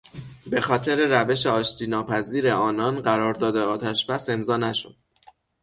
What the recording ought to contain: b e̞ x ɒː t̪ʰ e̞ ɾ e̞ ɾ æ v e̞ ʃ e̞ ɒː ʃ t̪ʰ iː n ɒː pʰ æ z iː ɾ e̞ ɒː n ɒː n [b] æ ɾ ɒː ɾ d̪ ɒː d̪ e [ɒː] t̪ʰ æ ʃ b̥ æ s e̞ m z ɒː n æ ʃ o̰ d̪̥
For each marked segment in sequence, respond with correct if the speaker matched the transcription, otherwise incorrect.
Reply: incorrect, correct

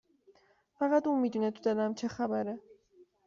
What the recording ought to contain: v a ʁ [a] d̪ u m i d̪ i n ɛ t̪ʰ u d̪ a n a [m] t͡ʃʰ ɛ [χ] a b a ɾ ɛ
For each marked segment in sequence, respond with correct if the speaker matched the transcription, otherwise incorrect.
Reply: correct, correct, correct

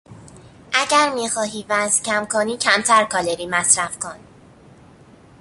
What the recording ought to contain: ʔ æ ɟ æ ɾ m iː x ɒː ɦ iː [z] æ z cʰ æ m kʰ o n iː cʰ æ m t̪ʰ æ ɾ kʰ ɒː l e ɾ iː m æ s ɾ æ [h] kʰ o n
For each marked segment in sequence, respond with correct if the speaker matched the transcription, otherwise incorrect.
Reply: incorrect, incorrect

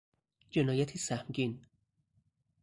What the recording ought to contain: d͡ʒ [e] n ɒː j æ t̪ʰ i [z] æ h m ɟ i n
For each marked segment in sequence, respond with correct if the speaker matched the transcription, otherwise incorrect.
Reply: correct, incorrect

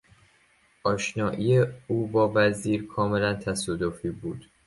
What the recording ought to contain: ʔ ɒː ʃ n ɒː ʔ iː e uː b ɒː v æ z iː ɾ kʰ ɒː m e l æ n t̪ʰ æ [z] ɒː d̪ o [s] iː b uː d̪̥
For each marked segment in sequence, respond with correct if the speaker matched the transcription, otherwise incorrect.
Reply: incorrect, incorrect

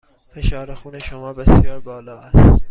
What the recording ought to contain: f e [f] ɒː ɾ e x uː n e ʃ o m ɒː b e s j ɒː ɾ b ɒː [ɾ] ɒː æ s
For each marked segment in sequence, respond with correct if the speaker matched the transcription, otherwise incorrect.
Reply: incorrect, incorrect

